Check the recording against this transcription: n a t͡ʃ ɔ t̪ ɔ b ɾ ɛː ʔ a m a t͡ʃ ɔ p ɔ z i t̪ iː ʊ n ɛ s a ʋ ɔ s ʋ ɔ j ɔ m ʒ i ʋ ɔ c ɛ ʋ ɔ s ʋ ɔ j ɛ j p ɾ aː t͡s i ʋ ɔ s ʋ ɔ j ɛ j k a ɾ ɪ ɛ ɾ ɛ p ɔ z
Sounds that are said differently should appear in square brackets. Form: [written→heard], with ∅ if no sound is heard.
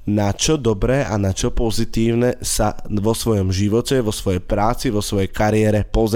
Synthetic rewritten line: n a t͡ʃ ɔ [t̪→d̪] ɔ b ɾ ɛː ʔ a [m→n] a t͡ʃ ɔ p ɔ z i t̪ iː ʊ n ɛ s a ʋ ɔ s ʋ ɔ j ɔ m ʒ i ʋ ɔ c ɛ ʋ ɔ s ʋ ɔ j ɛ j p ɾ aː t͡s i ʋ ɔ s ʋ ɔ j ɛ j k a ɾ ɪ ɛ ɾ ɛ p ɔ z